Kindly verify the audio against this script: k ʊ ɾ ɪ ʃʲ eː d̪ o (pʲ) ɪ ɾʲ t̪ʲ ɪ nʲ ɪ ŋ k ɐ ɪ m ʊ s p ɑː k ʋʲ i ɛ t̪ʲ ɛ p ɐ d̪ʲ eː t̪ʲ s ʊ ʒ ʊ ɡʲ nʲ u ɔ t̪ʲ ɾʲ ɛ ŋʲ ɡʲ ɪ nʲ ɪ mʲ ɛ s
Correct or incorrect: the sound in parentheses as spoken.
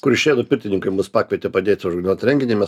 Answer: correct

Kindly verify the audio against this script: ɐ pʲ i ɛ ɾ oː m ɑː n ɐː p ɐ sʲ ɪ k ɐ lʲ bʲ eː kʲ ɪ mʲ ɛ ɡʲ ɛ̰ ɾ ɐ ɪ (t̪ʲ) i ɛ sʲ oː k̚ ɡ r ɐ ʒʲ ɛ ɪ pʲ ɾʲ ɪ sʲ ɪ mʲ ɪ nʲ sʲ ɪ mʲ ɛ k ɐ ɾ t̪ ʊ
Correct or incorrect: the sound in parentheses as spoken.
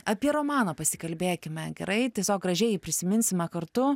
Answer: correct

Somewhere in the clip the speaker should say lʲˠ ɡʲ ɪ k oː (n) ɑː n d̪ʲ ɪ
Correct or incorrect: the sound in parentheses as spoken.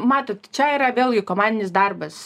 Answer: incorrect: m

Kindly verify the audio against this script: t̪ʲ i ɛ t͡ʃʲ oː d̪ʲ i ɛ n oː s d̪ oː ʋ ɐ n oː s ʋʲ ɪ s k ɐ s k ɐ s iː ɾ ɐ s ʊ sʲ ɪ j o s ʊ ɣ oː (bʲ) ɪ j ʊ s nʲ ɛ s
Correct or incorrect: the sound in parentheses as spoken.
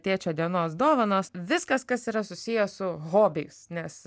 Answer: correct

